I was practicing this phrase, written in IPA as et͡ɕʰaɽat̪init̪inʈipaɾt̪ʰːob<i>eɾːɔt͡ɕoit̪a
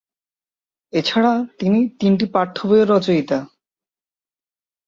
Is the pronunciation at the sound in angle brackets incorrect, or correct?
incorrect